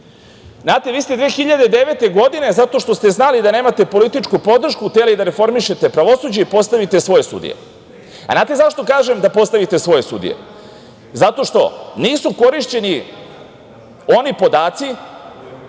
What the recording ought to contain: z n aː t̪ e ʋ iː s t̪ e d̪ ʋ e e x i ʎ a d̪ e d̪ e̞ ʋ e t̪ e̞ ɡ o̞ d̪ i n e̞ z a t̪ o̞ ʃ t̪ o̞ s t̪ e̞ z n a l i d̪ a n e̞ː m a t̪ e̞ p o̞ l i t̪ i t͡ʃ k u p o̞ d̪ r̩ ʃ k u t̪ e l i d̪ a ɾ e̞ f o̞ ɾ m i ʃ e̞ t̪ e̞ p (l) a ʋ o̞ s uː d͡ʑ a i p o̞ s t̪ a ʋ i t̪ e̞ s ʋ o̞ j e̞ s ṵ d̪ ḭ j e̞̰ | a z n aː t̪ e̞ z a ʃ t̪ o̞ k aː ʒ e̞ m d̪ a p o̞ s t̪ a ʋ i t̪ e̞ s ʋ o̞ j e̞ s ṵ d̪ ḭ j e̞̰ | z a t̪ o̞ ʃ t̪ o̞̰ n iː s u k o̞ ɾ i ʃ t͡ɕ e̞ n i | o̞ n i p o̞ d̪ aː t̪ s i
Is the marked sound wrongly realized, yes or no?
yes